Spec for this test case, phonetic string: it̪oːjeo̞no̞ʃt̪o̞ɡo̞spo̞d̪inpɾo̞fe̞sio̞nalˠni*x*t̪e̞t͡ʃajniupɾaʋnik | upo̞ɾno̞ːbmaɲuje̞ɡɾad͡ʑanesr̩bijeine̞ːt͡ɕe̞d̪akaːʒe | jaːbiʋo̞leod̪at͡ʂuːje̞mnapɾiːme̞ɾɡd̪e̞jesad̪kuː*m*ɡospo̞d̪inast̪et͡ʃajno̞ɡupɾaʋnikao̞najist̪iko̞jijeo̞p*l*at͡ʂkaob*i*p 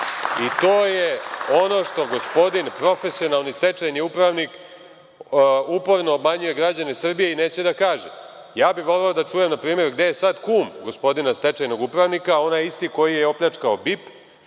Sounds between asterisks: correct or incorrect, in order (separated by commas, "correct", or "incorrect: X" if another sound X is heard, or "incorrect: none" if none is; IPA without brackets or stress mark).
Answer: incorrect: s, correct, incorrect: ʎ, correct